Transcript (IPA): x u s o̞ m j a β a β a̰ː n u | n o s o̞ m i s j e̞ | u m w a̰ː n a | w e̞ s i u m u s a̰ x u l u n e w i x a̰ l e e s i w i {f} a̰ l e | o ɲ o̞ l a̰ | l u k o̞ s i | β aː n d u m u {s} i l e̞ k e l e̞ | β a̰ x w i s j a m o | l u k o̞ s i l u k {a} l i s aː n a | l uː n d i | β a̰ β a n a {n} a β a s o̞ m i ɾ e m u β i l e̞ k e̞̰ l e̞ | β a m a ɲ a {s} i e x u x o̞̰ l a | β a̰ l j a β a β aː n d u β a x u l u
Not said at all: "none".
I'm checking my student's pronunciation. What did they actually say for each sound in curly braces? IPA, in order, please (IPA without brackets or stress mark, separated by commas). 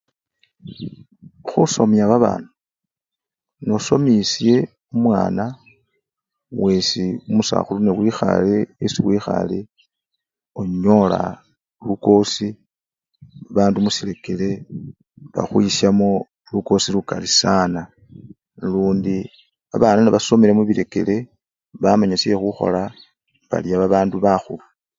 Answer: x, s, a, n, s